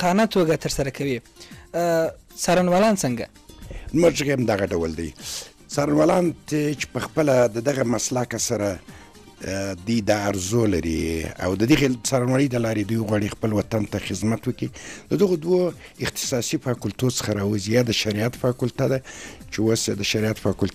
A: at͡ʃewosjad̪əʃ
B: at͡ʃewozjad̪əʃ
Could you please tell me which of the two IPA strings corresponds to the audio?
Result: A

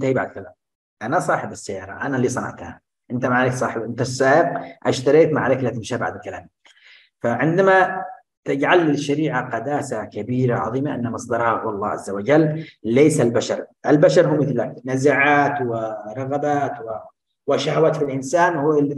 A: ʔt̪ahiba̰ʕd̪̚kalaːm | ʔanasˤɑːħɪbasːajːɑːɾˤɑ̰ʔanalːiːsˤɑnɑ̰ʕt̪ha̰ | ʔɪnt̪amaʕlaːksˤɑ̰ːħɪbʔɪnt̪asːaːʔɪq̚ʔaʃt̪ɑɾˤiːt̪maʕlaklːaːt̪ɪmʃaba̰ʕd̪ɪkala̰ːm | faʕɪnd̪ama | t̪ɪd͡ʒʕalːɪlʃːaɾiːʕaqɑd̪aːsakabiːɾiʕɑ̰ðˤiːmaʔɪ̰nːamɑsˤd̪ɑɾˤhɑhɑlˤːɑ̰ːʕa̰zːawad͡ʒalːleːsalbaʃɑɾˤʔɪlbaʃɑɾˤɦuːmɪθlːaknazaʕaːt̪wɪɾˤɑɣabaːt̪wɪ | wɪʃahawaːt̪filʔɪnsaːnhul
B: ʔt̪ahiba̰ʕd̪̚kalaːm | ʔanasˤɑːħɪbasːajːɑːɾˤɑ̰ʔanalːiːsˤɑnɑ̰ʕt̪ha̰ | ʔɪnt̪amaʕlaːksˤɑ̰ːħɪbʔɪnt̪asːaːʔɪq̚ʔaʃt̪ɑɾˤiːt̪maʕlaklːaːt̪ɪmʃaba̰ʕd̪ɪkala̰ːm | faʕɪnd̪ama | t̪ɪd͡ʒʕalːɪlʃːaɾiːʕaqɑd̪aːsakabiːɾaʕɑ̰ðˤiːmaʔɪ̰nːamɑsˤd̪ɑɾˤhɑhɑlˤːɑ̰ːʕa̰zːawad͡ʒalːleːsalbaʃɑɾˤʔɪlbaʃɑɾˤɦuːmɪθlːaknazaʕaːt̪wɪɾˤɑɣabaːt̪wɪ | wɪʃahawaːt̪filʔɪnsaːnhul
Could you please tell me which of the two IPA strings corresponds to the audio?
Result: B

